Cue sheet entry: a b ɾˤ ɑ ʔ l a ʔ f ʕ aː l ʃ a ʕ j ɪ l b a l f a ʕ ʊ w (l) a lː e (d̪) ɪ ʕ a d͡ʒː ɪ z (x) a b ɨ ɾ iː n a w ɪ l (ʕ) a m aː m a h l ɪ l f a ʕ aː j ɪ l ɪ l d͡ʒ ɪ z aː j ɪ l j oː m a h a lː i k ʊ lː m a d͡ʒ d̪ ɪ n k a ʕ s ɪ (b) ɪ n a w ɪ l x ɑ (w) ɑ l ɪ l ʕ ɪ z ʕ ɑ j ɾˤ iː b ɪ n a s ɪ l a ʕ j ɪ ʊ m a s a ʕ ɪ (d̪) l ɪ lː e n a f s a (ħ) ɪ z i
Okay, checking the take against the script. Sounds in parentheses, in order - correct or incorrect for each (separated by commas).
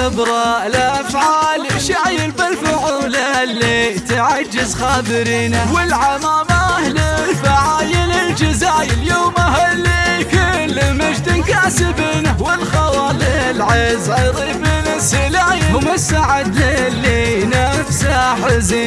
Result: correct, incorrect, correct, correct, correct, correct, correct, correct